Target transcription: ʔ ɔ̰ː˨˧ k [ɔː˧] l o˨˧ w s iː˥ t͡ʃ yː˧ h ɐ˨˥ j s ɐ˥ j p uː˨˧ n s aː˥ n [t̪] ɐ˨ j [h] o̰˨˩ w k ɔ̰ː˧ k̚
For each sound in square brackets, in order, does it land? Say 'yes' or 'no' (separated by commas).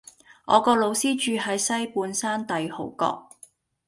yes, yes, yes